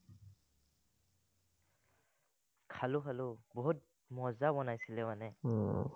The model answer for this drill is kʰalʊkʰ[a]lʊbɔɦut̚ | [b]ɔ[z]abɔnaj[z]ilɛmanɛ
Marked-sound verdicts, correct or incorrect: correct, incorrect: m, correct, incorrect: s

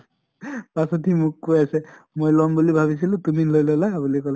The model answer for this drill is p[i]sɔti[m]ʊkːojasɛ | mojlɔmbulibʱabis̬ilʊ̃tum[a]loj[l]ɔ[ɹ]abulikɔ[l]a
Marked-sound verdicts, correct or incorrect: incorrect: a, correct, incorrect: i, correct, incorrect: l, correct

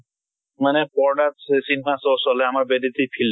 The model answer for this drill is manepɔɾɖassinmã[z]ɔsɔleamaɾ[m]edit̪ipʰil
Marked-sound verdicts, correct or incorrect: incorrect: s, incorrect: b

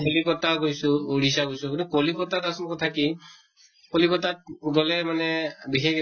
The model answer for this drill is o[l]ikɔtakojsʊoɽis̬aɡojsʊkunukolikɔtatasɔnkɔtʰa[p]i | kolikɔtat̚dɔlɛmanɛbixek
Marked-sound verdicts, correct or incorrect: correct, incorrect: k

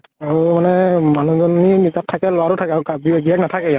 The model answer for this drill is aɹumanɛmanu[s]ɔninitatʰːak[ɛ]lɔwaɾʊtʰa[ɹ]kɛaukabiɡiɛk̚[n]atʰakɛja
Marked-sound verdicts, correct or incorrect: incorrect: z, correct, incorrect: none, correct

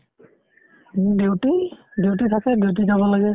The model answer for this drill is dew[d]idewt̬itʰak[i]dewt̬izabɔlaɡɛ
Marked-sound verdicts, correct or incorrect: incorrect: t, incorrect: ɛ

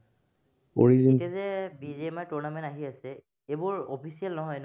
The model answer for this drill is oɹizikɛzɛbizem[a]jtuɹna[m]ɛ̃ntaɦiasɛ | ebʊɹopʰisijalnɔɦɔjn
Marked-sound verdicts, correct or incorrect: correct, correct

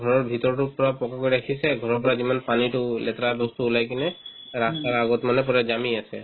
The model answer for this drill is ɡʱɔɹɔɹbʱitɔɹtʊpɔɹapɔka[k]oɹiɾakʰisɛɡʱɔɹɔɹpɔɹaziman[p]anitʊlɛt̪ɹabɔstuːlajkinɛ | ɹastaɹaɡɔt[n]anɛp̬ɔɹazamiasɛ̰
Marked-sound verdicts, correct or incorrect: correct, correct, incorrect: m

